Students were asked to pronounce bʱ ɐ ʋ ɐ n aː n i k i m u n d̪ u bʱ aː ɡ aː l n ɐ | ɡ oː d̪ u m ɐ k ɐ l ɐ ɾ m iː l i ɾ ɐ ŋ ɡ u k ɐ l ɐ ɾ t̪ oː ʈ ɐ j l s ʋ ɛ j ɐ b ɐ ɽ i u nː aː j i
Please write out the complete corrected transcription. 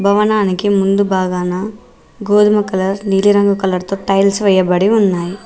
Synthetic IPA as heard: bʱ ɐ ʋ ɐ n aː n i k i m u n d̪ u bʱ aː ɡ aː n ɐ | ɡ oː d̪ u m ɐ k ɐ l ɐ ɾ n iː l i ɾ ɐ ŋ ɡ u k ɐ l ɐ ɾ t̪ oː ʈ ɐ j l s ʋ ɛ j ɐ b ɐ ɽ i u nː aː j i